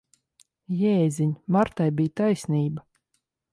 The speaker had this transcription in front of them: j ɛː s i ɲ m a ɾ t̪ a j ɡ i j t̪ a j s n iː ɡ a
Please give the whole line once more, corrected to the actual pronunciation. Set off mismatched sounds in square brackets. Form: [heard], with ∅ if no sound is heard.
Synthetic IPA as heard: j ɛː [z] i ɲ m a ɾ t̪ a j [b] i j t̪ a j s n iː [b] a